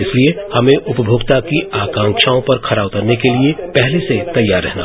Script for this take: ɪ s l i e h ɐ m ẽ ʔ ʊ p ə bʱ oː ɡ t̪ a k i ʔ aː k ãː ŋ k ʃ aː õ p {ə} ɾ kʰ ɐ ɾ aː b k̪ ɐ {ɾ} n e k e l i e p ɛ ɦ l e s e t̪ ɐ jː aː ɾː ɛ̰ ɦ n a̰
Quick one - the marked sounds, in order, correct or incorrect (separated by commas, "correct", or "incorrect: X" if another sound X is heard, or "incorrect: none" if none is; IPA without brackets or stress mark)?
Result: incorrect: ɐ, correct